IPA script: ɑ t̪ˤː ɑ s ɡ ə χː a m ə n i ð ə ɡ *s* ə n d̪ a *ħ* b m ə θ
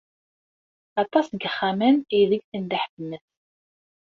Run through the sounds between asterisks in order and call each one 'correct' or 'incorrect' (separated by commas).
incorrect, correct